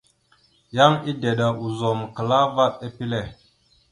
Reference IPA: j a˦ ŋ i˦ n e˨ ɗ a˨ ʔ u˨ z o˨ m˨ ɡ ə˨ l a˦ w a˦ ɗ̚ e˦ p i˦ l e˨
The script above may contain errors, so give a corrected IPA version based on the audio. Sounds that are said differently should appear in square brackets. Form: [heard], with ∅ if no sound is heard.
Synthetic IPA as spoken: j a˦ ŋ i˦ [d] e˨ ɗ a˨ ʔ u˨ z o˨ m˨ [k] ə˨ l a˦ [v] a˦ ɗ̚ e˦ p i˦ l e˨